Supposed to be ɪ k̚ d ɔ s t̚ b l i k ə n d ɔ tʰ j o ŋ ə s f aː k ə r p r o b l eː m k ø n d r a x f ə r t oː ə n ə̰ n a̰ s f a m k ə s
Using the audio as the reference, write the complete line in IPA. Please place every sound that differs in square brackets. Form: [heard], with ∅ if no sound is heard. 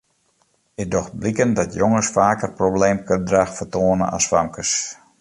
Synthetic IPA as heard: ɪ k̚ d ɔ [x] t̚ b l i k ə n d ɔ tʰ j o ŋ ə s f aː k ə r p r o b l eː m k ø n d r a x f ə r t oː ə n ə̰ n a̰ s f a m k ə s